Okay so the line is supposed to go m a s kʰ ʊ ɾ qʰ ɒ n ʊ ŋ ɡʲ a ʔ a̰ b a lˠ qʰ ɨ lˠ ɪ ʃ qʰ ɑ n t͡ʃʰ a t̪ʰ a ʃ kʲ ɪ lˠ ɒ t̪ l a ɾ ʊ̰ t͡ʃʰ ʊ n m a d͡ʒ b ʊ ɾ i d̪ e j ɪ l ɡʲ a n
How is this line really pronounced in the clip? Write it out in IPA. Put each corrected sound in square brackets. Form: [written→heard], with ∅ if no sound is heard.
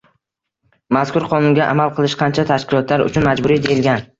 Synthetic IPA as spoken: m a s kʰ ʊ ɾ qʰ ɒ n ʊ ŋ ɡʲ a ʔ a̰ [b→m] a lˠ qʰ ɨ lˠ ɪ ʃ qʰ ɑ n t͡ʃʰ a t̪ʰ a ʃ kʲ ɪ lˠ ɒ t̪ l a ɾ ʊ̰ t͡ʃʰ ʊ n m a d͡ʒ b ʊ ɾ i d̪ e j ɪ l ɡʲ a n